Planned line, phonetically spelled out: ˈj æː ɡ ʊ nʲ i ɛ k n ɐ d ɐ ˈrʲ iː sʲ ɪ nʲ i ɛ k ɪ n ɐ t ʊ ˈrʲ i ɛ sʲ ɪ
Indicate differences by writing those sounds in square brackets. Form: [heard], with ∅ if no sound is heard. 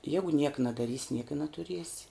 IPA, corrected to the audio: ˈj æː ɡ ʊ nʲ i ɛ k n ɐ d ɐ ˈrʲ iː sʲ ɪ nʲ i ɛ k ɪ n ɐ t ʊ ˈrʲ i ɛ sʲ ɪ